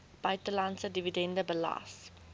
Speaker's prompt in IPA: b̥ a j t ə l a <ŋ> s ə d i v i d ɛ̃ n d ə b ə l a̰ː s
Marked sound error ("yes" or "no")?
yes